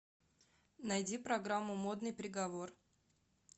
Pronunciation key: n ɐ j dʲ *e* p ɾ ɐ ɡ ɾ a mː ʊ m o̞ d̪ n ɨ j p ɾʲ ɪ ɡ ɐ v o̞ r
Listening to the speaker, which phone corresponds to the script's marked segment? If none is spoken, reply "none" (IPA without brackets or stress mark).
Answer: i